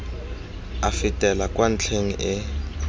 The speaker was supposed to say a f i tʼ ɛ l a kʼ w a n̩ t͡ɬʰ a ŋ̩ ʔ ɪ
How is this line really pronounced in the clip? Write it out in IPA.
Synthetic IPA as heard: a f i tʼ ɛ l a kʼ w a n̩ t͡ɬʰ e ŋ̩ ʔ ɪ